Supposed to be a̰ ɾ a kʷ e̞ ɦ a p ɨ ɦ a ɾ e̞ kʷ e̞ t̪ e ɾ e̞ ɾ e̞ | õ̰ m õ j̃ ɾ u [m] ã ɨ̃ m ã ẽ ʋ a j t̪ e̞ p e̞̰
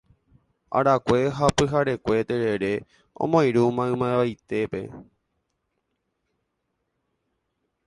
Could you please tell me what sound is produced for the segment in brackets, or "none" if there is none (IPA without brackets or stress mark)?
m